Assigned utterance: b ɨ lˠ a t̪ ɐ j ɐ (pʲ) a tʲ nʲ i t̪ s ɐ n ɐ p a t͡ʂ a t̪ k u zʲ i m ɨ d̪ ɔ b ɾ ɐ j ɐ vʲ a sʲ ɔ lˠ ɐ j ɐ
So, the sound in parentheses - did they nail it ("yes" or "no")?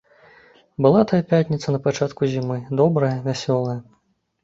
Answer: yes